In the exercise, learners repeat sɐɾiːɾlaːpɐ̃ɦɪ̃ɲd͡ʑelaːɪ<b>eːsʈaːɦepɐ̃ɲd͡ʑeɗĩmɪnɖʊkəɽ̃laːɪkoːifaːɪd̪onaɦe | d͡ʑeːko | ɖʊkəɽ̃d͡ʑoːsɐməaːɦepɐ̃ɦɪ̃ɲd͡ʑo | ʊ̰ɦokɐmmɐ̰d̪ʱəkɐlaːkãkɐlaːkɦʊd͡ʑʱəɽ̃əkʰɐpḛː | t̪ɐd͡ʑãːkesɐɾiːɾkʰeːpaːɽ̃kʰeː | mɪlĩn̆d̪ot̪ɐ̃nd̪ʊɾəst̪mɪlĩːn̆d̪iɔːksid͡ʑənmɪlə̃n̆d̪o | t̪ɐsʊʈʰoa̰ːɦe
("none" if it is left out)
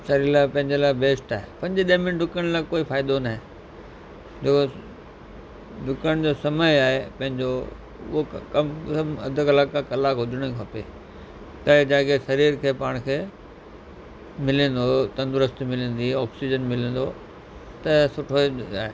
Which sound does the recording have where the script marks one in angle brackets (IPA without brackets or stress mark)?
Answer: b